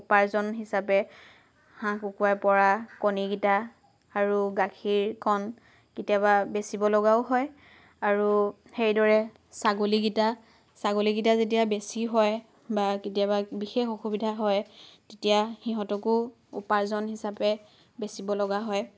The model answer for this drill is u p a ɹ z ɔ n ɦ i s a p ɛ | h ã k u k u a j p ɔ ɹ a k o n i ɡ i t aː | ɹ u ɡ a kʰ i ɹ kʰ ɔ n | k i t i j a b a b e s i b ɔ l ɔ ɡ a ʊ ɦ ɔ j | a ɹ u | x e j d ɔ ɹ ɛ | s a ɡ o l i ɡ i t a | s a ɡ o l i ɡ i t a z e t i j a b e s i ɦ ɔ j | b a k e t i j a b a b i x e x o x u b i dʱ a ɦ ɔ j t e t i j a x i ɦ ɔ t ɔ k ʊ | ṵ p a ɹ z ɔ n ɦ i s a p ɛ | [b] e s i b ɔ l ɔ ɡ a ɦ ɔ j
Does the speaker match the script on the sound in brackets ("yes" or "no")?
yes